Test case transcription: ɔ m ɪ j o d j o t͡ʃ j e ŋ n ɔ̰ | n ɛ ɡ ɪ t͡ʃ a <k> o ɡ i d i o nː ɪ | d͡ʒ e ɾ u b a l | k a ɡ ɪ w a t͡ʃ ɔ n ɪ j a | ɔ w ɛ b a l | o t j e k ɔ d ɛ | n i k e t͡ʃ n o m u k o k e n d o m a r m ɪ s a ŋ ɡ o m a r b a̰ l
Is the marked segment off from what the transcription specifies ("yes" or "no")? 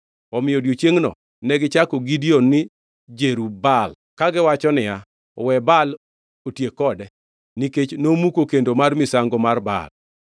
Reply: no